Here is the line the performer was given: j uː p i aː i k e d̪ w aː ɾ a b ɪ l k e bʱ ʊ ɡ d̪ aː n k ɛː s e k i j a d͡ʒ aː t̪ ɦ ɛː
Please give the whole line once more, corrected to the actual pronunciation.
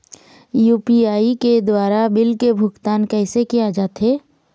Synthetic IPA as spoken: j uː p i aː i k e d̪ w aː ɾ a b ɪ l k e bʱ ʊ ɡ t̪ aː n k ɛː s e k i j a d͡ʒ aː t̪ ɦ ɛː